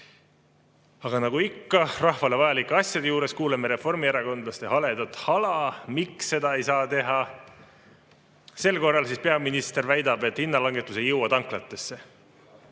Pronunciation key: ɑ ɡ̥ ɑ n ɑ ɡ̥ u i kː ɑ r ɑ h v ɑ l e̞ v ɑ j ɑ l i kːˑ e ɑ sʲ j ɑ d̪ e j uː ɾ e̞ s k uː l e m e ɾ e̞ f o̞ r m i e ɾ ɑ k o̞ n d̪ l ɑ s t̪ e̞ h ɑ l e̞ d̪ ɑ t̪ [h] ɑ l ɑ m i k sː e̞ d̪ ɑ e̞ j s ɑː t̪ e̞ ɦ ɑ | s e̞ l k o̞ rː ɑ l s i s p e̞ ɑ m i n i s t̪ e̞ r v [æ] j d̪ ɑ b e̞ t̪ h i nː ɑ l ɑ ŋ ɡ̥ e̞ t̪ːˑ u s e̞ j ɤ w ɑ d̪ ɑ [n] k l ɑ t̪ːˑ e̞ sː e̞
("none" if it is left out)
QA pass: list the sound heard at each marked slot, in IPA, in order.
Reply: h, æ, ŋ

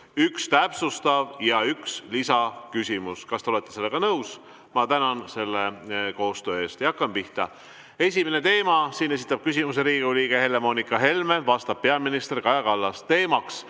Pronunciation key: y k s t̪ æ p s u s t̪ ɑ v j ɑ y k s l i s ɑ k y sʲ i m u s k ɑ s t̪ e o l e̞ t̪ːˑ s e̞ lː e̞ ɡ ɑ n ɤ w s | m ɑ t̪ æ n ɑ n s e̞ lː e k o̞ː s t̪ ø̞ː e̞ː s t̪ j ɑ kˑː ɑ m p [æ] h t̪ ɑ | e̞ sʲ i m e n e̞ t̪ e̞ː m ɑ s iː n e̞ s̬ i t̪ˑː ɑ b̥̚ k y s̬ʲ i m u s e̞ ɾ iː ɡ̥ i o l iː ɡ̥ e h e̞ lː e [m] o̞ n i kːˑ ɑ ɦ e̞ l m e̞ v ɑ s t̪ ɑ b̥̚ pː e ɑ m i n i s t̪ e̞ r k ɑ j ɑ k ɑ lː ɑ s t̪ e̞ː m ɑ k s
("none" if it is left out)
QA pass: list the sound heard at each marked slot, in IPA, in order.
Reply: i, m

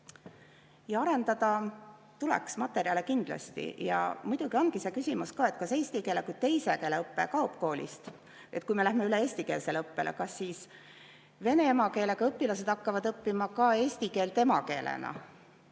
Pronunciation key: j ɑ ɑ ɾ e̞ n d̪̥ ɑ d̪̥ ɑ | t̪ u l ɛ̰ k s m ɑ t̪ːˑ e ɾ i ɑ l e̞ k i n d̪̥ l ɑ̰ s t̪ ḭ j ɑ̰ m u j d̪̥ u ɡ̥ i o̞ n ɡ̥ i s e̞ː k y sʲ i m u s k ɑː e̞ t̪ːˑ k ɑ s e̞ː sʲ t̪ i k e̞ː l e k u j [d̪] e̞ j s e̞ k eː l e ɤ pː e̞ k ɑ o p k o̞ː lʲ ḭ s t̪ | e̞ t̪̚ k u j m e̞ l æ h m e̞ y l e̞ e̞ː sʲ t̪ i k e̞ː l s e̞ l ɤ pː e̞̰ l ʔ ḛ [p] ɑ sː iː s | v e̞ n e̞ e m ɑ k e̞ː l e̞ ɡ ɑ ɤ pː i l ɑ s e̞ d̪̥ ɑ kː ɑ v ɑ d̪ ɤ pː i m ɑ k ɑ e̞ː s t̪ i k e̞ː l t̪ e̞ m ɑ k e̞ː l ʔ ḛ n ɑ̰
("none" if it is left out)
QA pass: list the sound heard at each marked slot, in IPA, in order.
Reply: t̪, k

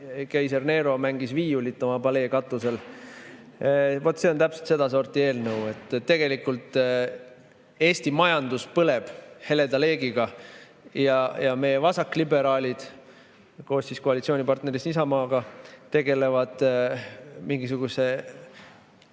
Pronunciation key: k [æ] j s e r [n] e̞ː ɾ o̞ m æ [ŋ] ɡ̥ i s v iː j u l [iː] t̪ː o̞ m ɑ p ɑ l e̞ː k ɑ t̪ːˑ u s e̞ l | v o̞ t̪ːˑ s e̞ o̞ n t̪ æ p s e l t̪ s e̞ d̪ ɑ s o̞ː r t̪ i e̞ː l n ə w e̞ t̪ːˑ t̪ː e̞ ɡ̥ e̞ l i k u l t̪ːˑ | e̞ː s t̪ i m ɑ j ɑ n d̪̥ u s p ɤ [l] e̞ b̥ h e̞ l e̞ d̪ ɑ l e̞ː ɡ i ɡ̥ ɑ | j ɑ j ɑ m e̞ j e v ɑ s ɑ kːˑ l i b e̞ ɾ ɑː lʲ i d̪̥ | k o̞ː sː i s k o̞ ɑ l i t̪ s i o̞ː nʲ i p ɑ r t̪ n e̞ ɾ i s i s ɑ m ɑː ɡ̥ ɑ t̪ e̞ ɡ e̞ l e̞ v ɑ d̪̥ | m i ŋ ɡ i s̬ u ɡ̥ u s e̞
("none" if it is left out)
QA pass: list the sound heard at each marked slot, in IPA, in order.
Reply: æ, n, ŋ, i, l

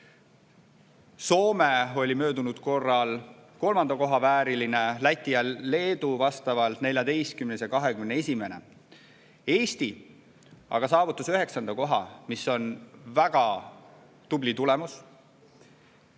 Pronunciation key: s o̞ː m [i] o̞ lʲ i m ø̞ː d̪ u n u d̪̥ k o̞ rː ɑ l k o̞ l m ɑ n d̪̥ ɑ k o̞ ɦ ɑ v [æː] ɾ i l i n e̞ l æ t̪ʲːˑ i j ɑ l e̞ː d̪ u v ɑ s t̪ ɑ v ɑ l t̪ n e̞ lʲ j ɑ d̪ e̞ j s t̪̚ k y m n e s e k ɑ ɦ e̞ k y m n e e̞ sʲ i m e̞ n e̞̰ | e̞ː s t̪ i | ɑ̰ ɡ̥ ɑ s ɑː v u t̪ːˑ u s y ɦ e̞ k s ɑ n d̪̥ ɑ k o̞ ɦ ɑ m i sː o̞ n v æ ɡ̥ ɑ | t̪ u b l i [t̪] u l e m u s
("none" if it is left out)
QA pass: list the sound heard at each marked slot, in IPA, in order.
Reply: e, æː, t̪

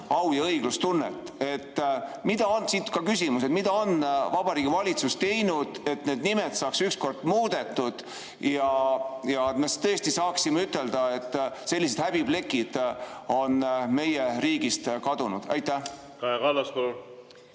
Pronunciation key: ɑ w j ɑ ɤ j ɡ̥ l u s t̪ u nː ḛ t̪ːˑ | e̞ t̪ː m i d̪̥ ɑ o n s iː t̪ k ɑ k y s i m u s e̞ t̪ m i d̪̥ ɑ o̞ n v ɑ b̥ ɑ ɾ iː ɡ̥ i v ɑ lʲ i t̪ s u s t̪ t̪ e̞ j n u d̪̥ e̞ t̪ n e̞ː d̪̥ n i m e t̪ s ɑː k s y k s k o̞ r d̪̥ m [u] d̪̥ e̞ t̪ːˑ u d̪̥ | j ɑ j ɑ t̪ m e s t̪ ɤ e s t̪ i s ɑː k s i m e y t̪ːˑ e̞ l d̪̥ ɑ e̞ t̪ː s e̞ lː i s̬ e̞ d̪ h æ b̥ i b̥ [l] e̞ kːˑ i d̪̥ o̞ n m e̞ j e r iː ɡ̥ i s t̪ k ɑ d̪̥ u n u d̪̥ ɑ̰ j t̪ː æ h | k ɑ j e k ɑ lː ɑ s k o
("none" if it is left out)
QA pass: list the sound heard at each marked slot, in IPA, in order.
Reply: uː, l

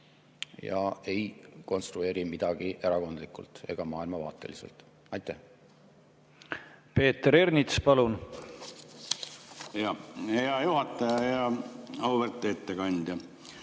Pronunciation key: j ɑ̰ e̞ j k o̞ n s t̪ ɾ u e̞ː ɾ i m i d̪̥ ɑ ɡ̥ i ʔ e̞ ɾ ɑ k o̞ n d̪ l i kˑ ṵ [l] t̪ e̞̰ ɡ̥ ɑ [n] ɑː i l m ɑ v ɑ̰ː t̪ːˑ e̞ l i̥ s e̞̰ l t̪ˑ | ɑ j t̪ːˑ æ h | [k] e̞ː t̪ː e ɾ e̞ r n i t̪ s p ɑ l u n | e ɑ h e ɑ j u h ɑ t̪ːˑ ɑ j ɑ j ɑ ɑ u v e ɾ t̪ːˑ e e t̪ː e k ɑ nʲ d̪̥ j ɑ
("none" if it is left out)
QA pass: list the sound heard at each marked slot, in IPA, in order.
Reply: l, m, p

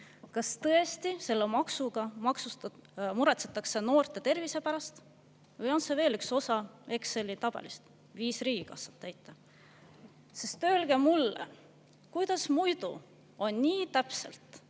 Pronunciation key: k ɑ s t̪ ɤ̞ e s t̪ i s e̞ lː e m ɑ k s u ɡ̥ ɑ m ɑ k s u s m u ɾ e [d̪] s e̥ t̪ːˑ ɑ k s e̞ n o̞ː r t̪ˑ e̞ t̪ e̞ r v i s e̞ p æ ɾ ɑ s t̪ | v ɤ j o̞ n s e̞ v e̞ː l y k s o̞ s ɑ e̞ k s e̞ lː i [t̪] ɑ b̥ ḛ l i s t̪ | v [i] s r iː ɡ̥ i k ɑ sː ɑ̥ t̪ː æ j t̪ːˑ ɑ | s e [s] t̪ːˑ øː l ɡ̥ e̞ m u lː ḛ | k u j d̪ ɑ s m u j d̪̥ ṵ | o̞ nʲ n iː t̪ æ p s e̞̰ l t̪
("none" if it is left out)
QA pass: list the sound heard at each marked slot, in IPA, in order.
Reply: t̪, t̪, iː, s

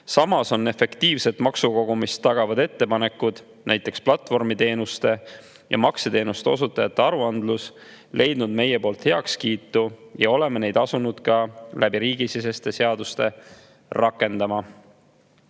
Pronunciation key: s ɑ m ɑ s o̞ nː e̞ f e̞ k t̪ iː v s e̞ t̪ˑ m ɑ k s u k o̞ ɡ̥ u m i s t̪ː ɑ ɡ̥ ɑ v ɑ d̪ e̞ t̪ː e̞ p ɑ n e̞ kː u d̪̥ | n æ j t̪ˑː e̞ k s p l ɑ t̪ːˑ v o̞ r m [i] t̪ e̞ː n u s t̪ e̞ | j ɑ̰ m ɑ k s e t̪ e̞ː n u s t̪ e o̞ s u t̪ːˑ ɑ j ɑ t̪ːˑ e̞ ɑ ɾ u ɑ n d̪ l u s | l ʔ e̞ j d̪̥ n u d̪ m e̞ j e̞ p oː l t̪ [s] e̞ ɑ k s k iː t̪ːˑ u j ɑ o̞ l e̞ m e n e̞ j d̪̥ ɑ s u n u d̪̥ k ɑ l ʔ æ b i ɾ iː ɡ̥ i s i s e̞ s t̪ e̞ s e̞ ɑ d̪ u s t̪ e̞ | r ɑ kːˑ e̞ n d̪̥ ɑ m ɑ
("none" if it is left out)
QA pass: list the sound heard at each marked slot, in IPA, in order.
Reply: i, h

